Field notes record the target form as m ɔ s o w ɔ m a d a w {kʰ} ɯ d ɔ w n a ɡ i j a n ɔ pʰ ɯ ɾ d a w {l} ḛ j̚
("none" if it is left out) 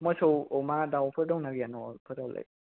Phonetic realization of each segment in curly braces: pʰ, l

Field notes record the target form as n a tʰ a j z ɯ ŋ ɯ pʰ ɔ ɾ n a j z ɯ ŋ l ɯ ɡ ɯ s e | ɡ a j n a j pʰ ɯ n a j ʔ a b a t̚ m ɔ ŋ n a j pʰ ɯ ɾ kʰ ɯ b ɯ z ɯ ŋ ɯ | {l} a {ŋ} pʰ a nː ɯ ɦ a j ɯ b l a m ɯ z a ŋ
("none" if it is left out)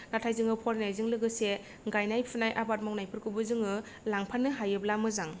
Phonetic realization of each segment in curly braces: l, ŋ

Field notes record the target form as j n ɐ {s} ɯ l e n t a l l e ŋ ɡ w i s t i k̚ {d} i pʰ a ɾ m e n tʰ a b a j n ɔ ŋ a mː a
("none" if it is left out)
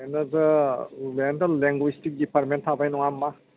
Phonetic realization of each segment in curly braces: z, d

